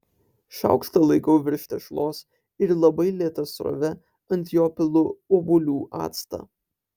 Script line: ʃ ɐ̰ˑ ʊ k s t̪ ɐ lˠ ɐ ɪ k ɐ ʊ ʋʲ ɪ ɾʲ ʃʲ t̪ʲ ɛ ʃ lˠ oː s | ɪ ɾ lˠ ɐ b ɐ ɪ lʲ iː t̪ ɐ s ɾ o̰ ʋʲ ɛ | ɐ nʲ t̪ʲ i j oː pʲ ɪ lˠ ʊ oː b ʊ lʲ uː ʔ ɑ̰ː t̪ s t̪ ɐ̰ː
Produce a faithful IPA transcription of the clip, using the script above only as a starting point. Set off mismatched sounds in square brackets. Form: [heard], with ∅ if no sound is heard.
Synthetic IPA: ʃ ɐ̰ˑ ʊ k s t̪ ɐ lˠ ɐ ɪ k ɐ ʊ ʋʲ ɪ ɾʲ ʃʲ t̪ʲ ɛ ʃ lˠ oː s | ɪ ɾ lˠ ɐ b ɐ ɪ lʲ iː t̪ ɐ s ɾ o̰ ʋʲ ɛ | ɐ nʲ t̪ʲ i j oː pʲ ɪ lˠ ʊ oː b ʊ lʲ uː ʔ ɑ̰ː t̪ s t̪ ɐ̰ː

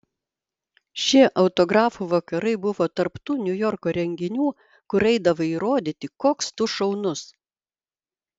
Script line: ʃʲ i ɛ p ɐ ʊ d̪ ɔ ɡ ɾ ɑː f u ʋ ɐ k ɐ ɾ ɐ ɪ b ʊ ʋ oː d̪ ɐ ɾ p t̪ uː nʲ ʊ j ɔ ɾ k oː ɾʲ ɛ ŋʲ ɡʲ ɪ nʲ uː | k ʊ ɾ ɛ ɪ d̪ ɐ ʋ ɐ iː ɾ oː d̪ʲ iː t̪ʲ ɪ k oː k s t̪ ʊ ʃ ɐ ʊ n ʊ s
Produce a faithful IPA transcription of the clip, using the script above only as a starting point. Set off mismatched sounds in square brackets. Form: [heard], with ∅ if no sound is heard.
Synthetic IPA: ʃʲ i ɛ [ʔ] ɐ ʊ [t̪] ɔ ɡ ɾ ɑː f u ʋ ɐ k ɐ ɾ ɐ ɪ b ʊ ʋ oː [t̪] ɐ ɾ p t̪ uː nʲ ʊ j ɔ ɾ k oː ɾʲ ɛ ŋʲ ɡʲ ɪ nʲ uː | k ʊ ɾ ɛ ɪ d̪ ɐ ʋ ɐ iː ɾ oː d̪ʲ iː t̪ʲ ɪ k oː k s t̪ ʊ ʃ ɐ ʊ n ʊ s

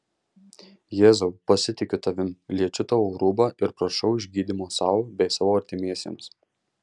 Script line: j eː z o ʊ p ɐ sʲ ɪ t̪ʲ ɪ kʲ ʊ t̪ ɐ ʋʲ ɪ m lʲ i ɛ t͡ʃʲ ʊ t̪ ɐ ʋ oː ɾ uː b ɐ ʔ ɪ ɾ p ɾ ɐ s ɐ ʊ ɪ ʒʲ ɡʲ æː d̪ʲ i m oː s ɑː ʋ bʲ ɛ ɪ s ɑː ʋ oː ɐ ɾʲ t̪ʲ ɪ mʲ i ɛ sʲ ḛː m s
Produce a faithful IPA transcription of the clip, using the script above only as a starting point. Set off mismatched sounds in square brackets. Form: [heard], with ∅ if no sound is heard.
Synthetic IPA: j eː z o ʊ p ɐ sʲ ɪ t̪ʲ ɪ kʲ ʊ t̪ ɐ ʋʲ ɪ m lʲ i ɛ t͡ʃʲ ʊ t̪ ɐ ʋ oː ɾ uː b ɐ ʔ ɪ ɾ p ɾ ɐ [ʃ] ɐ ʊ ɪ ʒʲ ɡʲ [iː] d̪ʲ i m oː s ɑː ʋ bʲ ɛ ɪ s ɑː ʋ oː ɐ ɾʲ t̪ʲ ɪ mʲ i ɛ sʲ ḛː m s

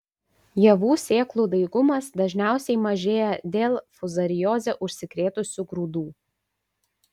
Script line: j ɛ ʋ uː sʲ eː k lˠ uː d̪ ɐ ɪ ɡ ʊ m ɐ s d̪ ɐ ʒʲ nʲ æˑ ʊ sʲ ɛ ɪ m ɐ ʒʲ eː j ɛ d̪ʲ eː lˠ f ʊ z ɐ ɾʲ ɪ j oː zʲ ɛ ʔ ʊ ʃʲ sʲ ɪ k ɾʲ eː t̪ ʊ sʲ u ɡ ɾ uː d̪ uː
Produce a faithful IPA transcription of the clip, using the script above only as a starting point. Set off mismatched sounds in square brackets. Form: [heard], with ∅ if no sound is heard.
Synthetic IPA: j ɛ ʋ uː sʲ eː k lˠ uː d̪ ɐ ɪ ɡ ʊ m ɐ s d̪ ɐ ʒʲ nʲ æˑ ʊ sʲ ɛ ɪ m ɐ ʒʲ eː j ɛ d̪ʲ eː lˠ f ʊ z ɐ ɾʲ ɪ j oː zʲ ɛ ʔ ʊ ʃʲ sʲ ɪ k ɾʲ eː t̪ ʊ sʲ u ɡ ɾ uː d̪ uː

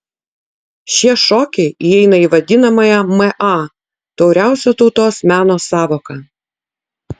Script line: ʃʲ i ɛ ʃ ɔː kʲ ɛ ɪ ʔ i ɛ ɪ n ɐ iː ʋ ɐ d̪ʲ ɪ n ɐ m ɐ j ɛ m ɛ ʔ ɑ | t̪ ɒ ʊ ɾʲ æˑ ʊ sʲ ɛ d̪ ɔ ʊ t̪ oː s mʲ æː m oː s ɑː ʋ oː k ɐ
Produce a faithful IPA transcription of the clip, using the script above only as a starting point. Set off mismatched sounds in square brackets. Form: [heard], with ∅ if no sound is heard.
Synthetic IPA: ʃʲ i ɛ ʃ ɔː kʲ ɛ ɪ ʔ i ɛ ɪ n ɐ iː ʋ ɐ d̪ʲ ɪ n ɐ m ɐ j ɛ m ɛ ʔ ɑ | t̪ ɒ ʊ ɾʲ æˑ ʊ sʲ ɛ [t̪] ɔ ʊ t̪ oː s mʲ æː [n] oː s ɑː ʋ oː k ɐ

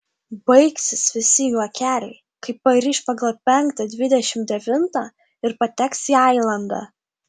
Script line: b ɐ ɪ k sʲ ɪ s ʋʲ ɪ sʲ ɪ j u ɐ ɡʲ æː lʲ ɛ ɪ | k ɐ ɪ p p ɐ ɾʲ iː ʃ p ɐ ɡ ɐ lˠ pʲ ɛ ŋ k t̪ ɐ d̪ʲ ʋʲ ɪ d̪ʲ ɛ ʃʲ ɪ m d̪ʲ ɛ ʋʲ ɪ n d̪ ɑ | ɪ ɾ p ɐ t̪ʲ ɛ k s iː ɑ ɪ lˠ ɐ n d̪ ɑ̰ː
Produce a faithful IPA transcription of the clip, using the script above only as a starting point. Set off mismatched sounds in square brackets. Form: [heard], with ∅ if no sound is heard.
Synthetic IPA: b ɐ ɪ k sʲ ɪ s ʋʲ ɪ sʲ ɪ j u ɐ [kʲ] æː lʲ ɛ ɪ | k ɐ ɪ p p ɐ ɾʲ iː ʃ p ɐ ɡ ɐ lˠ pʲ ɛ ŋ k t̪ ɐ d̪ʲ ʋʲ ɪ d̪ʲ ɛ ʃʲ ɪ m d̪ʲ ɛ ʋʲ ɪ n [t̪] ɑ | ɪ ɾ p ɐ t̪ʲ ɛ k s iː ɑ ɪ lˠ ɐ n d̪ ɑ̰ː

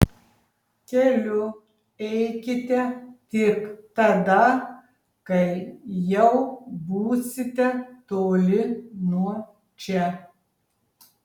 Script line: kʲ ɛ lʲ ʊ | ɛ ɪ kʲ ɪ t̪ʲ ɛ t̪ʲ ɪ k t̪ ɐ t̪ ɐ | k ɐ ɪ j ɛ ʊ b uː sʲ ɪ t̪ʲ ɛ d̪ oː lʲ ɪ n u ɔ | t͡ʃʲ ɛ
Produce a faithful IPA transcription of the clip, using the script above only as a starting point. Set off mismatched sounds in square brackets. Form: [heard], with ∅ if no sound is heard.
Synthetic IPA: kʲ ɛ lʲ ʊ | ɛ ɪ kʲ ɪ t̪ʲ ɛ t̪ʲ ɪ k t̪ ɐ [d̪] ɐ | k ɐ ɪ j ɛ ʊ b uː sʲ ɪ t̪ʲ ɛ [t̪] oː lʲ ɪ n u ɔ | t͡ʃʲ ɛ

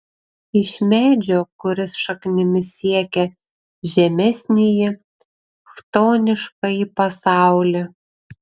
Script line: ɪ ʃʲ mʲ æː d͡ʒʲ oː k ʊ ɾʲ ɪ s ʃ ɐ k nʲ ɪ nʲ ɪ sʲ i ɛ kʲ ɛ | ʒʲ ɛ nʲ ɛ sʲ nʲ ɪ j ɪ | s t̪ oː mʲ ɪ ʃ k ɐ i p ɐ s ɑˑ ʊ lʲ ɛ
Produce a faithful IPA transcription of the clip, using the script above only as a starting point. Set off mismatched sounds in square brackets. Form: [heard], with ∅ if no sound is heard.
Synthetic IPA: ɪ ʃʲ mʲ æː d͡ʒʲ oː k ʊ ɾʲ ɪ s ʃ ɐ k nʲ ɪ [mʲ] ɪ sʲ i ɛ kʲ ɛ | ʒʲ ɛ [mʲ] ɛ sʲ nʲ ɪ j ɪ | [x] t̪ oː [nʲ] ɪ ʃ k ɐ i p ɐ s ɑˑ ʊ lʲ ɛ

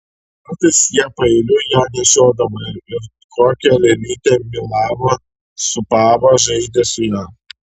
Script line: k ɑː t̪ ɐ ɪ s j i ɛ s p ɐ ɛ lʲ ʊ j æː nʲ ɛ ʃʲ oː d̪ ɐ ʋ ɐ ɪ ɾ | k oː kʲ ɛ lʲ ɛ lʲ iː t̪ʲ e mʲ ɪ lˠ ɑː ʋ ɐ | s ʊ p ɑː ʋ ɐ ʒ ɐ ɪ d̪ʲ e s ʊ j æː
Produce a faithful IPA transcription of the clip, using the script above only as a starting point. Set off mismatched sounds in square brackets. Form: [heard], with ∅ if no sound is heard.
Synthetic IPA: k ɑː t̪ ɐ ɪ s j i ɛ [∅] p ɐ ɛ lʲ ʊ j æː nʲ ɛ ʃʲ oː d̪ ɐ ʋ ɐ ɪ ɾ | k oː kʲ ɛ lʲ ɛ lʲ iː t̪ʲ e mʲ ɪ lˠ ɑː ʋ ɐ | s ʊ p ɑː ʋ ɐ ʒ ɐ ɪ d̪ʲ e s ʊ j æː

